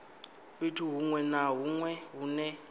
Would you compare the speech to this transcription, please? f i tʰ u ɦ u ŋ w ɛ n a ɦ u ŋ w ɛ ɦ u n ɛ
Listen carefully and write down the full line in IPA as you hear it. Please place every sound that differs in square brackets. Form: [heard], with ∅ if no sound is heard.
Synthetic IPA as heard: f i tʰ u ɦ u ŋ w ɛ n a ɦ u ŋ w ɛ ɦ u n ɛ

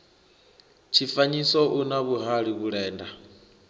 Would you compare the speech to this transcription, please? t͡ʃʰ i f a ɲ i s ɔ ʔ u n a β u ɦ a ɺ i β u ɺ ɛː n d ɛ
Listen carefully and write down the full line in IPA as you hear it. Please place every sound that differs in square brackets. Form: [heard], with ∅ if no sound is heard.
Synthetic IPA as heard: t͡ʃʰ i f a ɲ i s ɔ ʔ u n a β u ɦ a ɺ i β u ɺ ɛː n d [a]

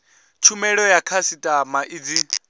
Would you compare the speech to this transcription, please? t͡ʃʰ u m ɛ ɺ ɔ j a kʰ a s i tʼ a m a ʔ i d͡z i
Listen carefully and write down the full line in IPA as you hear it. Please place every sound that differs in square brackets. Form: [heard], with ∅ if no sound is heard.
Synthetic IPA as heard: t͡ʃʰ u m ɛ ɺ ɔ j a kʰ a s i tʼ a m a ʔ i d͡z i

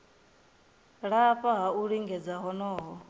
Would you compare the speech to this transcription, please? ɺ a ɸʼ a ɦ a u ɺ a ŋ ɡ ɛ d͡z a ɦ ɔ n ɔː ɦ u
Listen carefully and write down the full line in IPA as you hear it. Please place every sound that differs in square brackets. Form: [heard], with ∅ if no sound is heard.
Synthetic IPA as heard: ɺ a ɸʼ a ɦ a u ɺ [i] ŋ ɡ ɛ d͡z a ɦ ɔ n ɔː ɦ [ɔ]

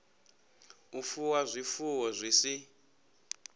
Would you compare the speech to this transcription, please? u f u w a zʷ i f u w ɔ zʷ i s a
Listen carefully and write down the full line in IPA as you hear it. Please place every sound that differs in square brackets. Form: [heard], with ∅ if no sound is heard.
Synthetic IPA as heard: u f u w a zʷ i f u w ɔ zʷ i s [i]

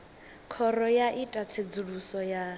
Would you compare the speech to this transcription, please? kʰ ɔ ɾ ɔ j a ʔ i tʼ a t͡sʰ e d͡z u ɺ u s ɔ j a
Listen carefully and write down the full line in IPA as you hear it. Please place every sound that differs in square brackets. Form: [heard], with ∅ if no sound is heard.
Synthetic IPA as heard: kʰ ɔ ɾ ɔ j a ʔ i tʼ a t͡sʰ e d͡z u ɺ u s ɔ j a

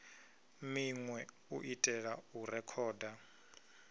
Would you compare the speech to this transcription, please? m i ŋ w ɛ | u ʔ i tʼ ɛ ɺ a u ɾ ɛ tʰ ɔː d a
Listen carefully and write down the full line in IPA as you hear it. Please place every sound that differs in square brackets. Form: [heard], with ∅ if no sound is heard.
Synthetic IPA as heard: m i ŋ w ɛ | u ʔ i tʼ ɛ ɺ a u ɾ ɛ [kʰ] ɔː d a

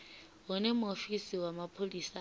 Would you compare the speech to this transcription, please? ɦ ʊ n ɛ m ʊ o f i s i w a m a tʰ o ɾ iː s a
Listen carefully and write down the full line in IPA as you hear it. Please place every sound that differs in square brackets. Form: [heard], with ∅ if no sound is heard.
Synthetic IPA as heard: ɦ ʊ n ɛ m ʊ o f i s i w a m a [pʰ] o [l] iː s a

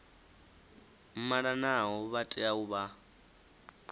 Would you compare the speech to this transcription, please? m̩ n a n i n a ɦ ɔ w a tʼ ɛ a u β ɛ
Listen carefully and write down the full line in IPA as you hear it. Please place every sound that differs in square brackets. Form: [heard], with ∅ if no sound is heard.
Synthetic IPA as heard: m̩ [m] a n [a] n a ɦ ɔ [β] a tʼ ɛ a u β [a]

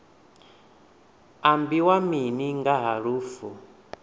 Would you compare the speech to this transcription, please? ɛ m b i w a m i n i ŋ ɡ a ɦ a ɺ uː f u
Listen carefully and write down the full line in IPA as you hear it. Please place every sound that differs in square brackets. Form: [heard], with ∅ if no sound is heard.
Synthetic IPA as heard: [a] m b i w a m i n i ŋ ɡ a ɦ a ɺ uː f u

